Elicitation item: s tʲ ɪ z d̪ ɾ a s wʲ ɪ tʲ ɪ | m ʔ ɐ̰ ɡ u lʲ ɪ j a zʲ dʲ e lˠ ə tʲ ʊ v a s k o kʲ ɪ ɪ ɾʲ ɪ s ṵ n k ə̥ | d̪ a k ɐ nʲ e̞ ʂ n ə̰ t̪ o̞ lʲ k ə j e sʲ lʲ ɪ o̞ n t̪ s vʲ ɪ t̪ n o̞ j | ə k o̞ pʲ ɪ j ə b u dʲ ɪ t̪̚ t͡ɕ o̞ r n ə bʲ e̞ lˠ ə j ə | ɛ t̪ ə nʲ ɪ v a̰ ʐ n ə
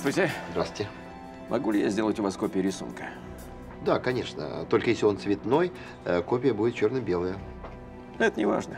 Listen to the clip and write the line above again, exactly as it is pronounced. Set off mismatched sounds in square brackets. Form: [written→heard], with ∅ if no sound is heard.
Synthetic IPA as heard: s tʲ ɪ z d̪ ɾ a s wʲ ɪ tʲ ɪ | m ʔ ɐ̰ ɡ u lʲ ɪ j a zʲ dʲ e lˠ ə tʲ ʊ v a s k o [kʲ→pʲ] ɪ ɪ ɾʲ ɪ s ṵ n k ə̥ | d̪ a k ɐ nʲ e̞ ʂ n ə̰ t̪ o̞ lʲ k ə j e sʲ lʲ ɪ o̞ n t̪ s vʲ ɪ t̪ n o̞ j | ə k o̞ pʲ ɪ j ə b u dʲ ɪ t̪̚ t͡ɕ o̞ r n ə bʲ e̞ lˠ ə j ə | ɛ t̪ ə nʲ ɪ v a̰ ʐ n ə